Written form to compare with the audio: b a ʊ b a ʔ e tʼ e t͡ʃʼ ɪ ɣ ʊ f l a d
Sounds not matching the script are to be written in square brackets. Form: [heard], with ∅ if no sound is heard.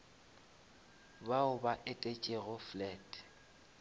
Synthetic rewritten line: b a ʊ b a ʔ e tʼ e t͡ʃʼ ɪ ɣ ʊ f l [ɛ] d